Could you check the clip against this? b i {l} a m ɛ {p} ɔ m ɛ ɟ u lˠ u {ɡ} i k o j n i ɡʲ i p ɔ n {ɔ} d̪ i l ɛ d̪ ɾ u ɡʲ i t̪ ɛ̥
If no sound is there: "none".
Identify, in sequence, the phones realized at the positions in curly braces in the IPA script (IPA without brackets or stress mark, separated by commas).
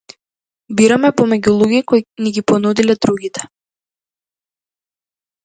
ɾ, p, ɡ, u